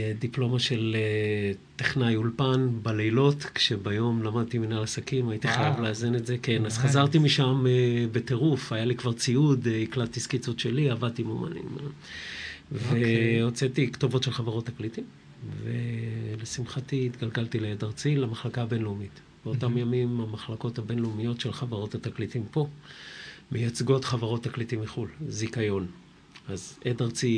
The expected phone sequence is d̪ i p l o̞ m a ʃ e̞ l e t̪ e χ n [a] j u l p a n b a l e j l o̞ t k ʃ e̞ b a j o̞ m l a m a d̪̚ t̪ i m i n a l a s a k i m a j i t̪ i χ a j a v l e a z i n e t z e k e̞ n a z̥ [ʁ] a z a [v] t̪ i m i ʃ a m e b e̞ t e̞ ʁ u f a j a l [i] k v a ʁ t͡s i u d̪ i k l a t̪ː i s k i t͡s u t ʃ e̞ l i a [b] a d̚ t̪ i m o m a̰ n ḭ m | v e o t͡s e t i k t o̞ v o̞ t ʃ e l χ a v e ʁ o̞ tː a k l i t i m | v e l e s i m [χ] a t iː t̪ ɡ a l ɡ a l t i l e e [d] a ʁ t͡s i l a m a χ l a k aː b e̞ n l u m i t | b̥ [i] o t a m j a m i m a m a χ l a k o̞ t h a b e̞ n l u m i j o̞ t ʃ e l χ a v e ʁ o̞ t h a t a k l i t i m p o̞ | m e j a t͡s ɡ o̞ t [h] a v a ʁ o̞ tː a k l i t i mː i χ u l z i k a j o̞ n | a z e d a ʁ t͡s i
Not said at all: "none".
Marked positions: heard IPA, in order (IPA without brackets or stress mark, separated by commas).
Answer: a, χ, ʁ, i, v, χ, d, e, χ